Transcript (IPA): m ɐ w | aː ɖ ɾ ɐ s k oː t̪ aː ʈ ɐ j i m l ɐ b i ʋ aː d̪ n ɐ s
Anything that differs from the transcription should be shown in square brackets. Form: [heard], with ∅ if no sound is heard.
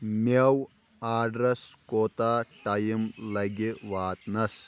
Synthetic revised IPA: m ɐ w | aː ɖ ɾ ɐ s k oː t̪ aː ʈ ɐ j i m l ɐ [ɡ] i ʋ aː [t̪] n ɐ s